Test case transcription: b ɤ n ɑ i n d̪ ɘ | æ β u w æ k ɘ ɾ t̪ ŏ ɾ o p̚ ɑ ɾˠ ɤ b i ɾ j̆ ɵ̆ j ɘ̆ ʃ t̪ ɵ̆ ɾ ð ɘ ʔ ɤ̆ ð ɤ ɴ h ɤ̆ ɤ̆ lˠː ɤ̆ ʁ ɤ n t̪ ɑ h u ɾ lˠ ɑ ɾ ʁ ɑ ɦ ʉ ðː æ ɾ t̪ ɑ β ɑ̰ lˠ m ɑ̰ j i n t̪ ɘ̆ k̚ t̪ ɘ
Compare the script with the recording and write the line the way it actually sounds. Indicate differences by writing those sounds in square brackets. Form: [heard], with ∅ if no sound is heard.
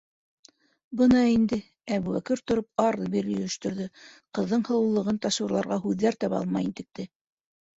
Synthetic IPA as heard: b ɤ n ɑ i n d̪ ɘ | æ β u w æ k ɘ ɾ t̪ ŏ ɾ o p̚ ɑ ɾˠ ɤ b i ɾ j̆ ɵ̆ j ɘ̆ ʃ t̪ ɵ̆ ɾ ð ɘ [q] ɤ̆ [ðː] ɤ ɴ h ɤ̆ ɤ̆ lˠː ɤ̆ ʁ ɤ n t̪ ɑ [ʃ] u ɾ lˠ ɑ ɾ ʁ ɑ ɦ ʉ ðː æ ɾ t̪ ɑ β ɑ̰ lˠ m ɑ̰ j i n t̪ ɘ̆ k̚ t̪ ɘ